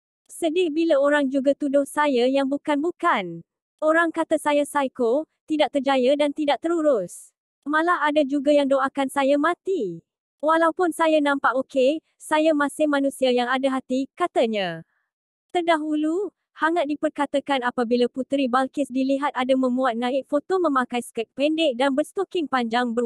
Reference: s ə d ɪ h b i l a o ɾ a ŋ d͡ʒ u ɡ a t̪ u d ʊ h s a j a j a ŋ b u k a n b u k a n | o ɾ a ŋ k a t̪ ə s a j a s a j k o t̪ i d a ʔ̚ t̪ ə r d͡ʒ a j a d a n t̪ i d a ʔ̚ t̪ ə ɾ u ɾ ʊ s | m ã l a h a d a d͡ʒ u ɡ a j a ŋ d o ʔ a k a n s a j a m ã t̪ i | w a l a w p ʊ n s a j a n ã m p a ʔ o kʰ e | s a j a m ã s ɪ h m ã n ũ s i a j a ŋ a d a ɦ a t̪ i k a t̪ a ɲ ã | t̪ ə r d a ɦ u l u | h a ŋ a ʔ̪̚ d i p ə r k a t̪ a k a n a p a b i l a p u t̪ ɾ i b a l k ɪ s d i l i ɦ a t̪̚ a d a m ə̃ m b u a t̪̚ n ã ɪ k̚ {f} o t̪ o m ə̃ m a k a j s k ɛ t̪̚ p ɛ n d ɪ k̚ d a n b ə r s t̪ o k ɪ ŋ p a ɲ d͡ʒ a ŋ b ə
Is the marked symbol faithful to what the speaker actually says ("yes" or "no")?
yes